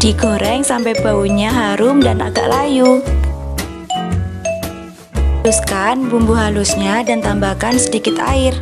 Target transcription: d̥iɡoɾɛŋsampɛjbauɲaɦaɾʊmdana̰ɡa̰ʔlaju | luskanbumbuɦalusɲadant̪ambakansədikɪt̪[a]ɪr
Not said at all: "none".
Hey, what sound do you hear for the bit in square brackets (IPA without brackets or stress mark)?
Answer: a